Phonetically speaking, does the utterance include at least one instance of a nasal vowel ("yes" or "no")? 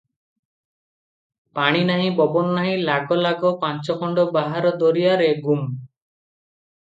yes